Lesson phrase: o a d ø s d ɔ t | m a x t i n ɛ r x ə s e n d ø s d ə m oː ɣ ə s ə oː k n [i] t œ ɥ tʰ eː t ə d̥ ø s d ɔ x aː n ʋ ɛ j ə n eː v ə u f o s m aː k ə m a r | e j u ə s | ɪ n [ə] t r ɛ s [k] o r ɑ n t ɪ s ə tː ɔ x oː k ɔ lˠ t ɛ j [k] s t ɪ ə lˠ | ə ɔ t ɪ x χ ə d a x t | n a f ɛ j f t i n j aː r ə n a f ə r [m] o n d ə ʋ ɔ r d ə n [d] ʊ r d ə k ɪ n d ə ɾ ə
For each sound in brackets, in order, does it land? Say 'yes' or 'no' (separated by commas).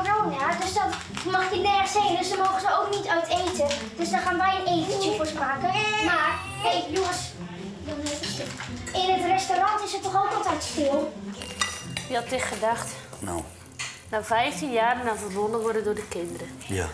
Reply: yes, yes, no, no, no, yes